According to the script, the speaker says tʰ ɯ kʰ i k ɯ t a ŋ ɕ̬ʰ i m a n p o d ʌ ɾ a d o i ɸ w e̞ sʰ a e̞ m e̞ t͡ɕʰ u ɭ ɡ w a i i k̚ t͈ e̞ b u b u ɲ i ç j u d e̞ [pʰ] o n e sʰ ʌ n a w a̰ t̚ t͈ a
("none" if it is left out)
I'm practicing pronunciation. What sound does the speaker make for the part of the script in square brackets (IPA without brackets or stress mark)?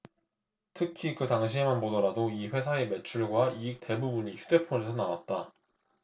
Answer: pʰ